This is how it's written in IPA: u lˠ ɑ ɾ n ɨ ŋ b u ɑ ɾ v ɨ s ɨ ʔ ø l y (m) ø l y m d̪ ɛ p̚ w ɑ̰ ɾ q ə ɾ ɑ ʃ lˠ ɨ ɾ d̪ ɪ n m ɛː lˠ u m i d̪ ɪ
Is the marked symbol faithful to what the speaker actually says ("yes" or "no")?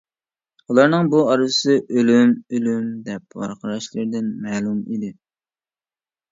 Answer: yes